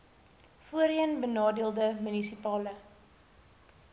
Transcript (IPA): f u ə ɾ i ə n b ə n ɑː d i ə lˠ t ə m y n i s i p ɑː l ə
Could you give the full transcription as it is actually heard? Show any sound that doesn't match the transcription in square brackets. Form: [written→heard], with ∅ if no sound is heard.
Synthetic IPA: f u ə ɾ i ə n b ə n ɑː d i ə lˠ [t→d] ə m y n i s i p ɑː l ə